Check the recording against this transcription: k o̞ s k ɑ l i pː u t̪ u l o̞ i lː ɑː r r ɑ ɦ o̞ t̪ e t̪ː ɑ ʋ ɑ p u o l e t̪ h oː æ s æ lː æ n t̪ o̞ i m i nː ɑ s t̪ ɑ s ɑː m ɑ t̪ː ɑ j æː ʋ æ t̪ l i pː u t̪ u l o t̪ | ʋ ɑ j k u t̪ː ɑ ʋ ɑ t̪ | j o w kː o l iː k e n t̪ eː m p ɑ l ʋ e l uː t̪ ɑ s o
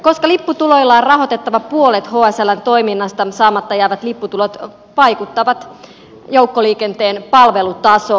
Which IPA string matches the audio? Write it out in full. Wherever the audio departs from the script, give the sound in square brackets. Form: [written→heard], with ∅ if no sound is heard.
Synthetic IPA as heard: k o̞ s k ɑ l i pː u t̪ u l o̞ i lː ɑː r r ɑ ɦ o̞ t̪ e t̪ː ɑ ʋ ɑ p u o l e t̪ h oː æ s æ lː æ n t̪ o̞ i m i nː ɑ s t̪ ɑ s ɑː m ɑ t̪ː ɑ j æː ʋ æ t̪ l i pː u t̪ u l o t̪ | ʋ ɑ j k u t̪ː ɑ ʋ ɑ t̪ | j o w kː o l iː k e n t̪ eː [m→n] p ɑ l ʋ e l [uː→u] t̪ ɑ s o

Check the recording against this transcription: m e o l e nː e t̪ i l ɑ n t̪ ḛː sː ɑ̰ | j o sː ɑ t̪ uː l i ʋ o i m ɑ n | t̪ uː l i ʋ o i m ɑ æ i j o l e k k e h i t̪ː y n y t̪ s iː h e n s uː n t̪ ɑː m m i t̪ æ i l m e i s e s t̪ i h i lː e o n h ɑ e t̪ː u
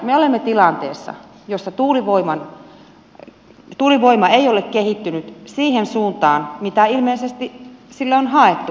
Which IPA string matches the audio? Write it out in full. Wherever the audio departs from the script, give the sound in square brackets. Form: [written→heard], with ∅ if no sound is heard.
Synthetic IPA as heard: m e o l e [nː→mː] e t̪ i l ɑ n t̪ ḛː sː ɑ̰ | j o sː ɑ t̪ uː l i ʋ o i m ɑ n | t̪ uː l i ʋ o i m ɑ [æ→e] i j o l e k k e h i t̪ː y n y t̪ s iː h e n s uː n t̪ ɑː [m→n] m i t̪ æ i l m e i s e s t̪ i [h→s] i lː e o n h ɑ e t̪ː u

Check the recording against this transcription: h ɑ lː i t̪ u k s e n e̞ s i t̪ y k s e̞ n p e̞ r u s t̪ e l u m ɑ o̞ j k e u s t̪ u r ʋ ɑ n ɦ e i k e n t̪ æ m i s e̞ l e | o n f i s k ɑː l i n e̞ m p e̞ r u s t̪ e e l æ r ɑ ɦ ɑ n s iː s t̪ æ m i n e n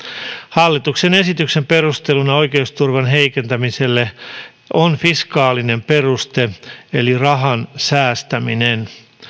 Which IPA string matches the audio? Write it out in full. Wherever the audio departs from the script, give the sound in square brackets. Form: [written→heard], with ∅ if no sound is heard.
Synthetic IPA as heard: h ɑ lː i t̪ u k s e n e̞ s i t̪ y k s e̞ [n→m] p e̞ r u s t̪ e l u [m→n] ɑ o̞ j k e u s t̪ u r ʋ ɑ n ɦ e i k e n t̪ æ m i s e̞ [l→lː] e | o n f i s k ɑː l i n e̞ m p e̞ r u s t̪ e e l [æ→i] r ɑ ɦ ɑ n s [iː→æː] s t̪ æ m i n e n

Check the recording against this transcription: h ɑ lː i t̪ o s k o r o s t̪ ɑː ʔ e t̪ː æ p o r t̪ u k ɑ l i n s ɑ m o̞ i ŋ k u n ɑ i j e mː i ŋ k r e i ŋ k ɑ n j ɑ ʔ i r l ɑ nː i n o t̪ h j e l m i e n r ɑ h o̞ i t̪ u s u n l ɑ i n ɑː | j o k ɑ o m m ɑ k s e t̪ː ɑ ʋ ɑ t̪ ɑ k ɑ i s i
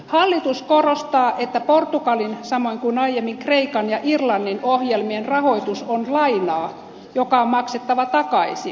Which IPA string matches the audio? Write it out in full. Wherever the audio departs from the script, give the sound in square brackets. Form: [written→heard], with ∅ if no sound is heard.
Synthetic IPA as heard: h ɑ lː i t̪ [o→u] s k o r o s t̪ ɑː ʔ e t̪ː æ p o r t̪ u k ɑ l i n s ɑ m o̞ i ŋ k u n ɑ i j e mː i ŋ k r e i [ŋ→∅] k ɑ n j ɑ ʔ i r l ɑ nː i n o [t̪→∅] h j e l m i e n r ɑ h o̞ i t̪ u s [u→o] n l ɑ i n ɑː | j o k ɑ o m m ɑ k s e t̪ː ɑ ʋ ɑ t̪ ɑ k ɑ i s i

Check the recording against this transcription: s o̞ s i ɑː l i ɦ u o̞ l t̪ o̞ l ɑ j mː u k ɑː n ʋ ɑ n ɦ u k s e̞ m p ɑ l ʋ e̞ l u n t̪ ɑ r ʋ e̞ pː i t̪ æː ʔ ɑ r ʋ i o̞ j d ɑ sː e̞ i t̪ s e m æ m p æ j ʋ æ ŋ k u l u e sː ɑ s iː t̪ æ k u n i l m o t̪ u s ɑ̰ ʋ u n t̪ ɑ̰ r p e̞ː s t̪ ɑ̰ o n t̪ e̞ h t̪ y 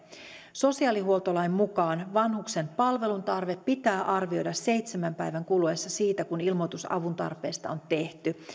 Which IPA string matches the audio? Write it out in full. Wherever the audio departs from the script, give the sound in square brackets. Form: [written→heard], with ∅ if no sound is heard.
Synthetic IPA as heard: s o̞ s i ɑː l i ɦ u o̞ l t̪ o̞ l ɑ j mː u k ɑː n ʋ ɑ n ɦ u k s e̞ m p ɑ l ʋ e̞ l u n t̪ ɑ r ʋ e̞ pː i t̪ æː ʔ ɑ r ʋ i o̞ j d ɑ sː e̞ [i→j] t̪ s e m æ m p æ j ʋ æ ŋ k u l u e sː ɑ s iː t̪ æ k u n i l m o t̪ u s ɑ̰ ʋ u n t̪ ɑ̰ r p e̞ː s t̪ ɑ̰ o n t̪ e̞ h t̪ y

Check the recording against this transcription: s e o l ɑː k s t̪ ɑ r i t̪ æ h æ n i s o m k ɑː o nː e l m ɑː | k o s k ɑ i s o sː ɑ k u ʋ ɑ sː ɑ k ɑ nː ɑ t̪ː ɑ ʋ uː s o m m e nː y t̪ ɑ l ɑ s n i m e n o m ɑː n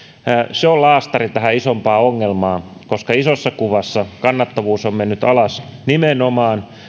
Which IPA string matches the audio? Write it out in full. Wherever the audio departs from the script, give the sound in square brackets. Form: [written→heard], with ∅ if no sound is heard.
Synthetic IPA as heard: s e o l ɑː [k→∅] s t̪ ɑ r i t̪ æ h æ [n→∅] i s o m [k→p] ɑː o [nː→ŋː] e l m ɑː | k o s k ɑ i s o sː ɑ k u ʋ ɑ sː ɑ k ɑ nː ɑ t̪ː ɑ ʋ uː s o m m e nː y t̪ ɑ l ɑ s n i m e n o m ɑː n

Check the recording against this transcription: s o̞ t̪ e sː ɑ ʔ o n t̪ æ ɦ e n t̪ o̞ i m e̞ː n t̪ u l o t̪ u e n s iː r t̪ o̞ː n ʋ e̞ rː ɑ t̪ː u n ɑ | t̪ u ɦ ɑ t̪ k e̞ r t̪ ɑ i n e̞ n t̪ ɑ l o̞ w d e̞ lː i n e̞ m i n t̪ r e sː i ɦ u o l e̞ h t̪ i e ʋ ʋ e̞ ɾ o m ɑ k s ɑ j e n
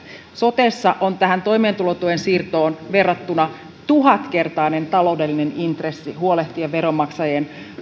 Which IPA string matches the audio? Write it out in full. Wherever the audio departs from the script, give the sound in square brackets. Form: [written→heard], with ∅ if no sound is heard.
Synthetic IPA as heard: s o̞ t̪ e sː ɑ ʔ o n t̪ æ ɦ [e→æ] n t̪ o̞ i m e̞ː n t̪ u l o t̪ u e n s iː r t̪ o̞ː n ʋ e̞ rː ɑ t̪ː u n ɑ | t̪ u ɦ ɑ t̪ k e̞ r t̪ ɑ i n e̞ n t̪ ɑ l o̞ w d e̞ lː i n e̞ [m→n] i n t̪ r e sː i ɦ u o l e̞ h t̪ i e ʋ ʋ e̞ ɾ o m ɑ k s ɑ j e n

